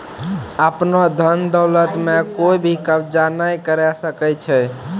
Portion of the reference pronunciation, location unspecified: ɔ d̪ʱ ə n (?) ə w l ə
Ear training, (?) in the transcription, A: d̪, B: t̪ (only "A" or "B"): A